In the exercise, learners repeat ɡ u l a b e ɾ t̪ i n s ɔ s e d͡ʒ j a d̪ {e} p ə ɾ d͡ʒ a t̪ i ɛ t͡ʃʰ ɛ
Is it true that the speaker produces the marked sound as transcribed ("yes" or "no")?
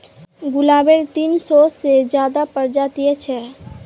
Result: no